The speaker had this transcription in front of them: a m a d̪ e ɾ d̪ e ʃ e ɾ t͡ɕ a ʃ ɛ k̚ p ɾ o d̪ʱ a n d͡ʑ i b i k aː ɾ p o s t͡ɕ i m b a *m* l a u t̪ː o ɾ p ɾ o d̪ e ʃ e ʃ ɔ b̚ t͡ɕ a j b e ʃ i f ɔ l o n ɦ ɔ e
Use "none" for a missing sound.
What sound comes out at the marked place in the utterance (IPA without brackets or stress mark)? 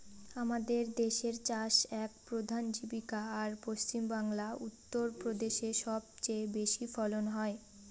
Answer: ŋ